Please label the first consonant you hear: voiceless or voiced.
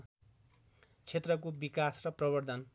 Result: voiceless